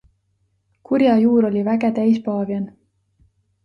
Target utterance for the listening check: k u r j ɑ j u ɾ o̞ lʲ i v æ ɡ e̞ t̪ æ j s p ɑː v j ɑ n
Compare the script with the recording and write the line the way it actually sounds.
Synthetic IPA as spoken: k u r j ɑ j uː ɾ o̞ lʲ i v æ ɡ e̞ t̪ æ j s p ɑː v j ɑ n